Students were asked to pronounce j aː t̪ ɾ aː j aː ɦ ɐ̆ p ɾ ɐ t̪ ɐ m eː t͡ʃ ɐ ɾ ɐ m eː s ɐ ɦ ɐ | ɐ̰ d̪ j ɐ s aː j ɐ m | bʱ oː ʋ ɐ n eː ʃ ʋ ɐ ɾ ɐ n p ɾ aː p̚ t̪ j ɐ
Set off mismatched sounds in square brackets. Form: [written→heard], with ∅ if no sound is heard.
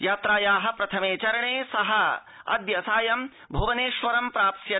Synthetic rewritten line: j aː t̪ ɾ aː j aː ɦ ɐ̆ p ɾ ɐ [t̪→t̪ʰ] ɐ m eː t͡ʃ ɐ ɾ ɐ [m→ɳ] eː s ɐ ɦ ɐ | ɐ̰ d̪ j ɐ s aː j ɐ m | bʱ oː ʋ ɐ n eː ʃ ʋ ɐ ɾ ɐ [n→m] p ɾ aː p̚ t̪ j ɐ

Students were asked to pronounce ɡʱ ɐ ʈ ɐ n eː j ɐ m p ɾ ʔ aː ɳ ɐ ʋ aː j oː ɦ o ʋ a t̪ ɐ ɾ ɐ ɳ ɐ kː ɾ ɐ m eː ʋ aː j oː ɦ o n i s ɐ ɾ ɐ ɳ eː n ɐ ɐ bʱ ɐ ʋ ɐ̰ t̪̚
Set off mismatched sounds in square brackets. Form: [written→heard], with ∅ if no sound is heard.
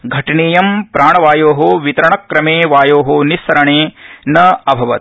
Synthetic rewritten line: ɡʱ ɐ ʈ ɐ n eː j ɐ m p ɾ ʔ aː ɳ ɐ ʋ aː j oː ɦ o ʋ [a→i] t̪ ɐ ɾ ɐ ɳ ɐ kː ɾ ɐ m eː ʋ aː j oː ɦ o n i s ɐ ɾ ɐ ɳ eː n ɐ ɐ bʱ ɐ ʋ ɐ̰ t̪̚

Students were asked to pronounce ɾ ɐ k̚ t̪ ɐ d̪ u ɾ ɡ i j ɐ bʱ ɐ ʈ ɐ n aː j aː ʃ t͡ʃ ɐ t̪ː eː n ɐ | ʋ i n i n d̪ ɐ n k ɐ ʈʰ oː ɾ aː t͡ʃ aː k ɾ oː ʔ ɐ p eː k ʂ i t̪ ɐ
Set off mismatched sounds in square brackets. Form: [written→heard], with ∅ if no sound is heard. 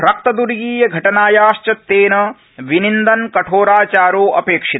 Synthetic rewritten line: ɾ ɐ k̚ t̪ ɐ d̪ u ɾ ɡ [i→iː] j ɐ [bʱ→ɡʱ] ɐ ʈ ɐ n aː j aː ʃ t͡ʃ ɐ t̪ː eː n ɐ | ʋ i n i n d̪ ɐ n k ɐ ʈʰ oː ɾ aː t͡ʃ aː [k→∅] ɾ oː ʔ ɐ p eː k ʂ i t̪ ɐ

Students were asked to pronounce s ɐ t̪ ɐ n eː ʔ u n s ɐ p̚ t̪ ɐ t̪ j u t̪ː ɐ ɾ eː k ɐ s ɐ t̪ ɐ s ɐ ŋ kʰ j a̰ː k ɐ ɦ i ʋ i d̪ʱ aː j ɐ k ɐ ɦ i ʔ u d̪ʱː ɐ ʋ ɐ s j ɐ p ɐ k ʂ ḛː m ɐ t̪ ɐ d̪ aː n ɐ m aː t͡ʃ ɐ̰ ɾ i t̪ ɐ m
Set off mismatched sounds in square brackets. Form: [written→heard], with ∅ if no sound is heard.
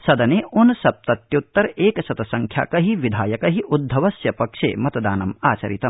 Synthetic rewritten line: s ɐ [t̪→d̪] ɐ n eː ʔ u n s ɐ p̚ t̪ ɐ t̪ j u t̪ː ɐ ɾ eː k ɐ s ɐ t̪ ɐ s ɐ ŋ kʰ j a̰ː k ɐ ɦ i ʋ i d̪ʱ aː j ɐ k ɐ ɦ i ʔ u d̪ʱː ɐ ʋ ɐ s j ɐ p ɐ k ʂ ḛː m ɐ t̪ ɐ d̪ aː n ɐ m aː t͡ʃ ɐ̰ ɾ i t̪ ɐ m

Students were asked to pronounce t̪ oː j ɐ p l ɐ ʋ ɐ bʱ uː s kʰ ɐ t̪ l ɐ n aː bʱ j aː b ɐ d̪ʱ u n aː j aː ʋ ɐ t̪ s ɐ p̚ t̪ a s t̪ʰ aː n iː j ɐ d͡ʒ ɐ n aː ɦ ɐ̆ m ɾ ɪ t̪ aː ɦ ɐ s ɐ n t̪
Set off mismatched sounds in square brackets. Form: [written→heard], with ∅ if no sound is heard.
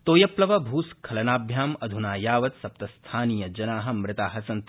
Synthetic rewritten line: t̪ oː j ɐ p l ɐ ʋ ɐ bʱ uː s kʰ ɐ [t̪→∅] l ɐ n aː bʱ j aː [b→m] ɐ d̪ʱ u n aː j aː ʋ ɐ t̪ s ɐ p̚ t̪ [a→ɐ] s t̪ʰ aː n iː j ɐ d͡ʒ ɐ n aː ɦ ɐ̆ m ɾ ɪ t̪ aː ɦ ɐ s ɐ n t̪

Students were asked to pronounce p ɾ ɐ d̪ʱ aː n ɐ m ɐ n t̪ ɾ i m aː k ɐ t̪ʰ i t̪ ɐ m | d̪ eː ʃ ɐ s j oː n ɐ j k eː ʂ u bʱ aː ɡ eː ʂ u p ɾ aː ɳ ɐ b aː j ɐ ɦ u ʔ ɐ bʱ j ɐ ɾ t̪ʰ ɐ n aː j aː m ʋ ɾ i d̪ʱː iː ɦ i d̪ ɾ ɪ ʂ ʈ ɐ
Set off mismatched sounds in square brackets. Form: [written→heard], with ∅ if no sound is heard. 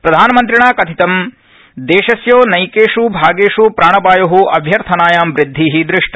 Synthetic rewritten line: p ɾ ɐ d̪ʱ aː n ɐ m ɐ n t̪ ɾ i [m→ɳ] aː k ɐ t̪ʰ i t̪ ɐ m | d̪ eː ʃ ɐ s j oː n ɐ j k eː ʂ u bʱ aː ɡ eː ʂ u p ɾ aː ɳ ɐ b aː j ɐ ɦ u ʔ ɐ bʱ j ɐ ɾ t̪ʰ ɐ n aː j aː m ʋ ɾ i d̪ʱː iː ɦ i d̪ ɾ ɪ ʂ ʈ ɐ

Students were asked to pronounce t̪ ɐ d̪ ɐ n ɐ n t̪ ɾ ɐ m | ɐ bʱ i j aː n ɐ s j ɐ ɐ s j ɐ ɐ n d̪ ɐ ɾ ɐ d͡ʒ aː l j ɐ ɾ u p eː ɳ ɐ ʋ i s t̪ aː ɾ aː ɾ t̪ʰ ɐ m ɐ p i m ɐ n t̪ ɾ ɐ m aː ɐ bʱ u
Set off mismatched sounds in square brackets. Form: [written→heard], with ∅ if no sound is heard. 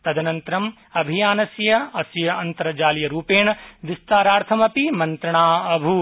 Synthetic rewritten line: t̪ ɐ d̪ ɐ n ɐ n t̪ ɾ ɐ m | ɐ bʱ i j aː n ɐ s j ɐ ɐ s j ɐ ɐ n [d̪→t̪] ɐ ɾ ɐ d͡ʒ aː l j ɐ ɾ [u→uː] p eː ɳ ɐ ʋ i s t̪ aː ɾ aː ɾ t̪ʰ ɐ m ɐ p i m ɐ n t̪ ɾ ɐ [m→ɳ] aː ɐ bʱ u

